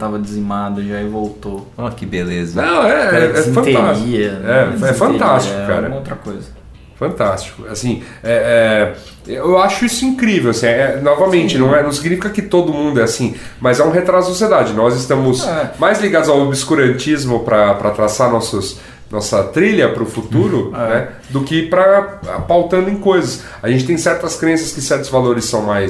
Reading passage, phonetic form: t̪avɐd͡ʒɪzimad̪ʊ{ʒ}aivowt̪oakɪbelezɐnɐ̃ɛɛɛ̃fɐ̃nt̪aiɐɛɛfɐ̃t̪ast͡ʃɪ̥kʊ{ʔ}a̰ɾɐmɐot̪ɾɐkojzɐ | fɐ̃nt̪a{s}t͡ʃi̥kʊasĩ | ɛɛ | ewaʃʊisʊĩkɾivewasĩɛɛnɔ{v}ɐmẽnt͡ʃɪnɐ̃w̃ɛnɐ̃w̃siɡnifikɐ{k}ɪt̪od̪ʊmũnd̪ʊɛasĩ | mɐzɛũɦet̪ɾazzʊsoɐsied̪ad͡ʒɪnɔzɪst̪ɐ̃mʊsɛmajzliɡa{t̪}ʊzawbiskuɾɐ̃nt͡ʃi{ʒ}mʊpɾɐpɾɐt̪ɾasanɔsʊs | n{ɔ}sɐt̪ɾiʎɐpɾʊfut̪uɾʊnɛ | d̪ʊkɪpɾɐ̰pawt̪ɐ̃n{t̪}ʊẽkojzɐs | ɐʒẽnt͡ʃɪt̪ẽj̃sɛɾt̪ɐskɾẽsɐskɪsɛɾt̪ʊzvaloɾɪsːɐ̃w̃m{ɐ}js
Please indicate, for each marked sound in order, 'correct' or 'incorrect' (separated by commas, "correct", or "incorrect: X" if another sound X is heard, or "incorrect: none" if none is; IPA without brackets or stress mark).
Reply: correct, incorrect: k, correct, correct, correct, incorrect: d̪, incorrect: z, correct, incorrect: d̪, incorrect: a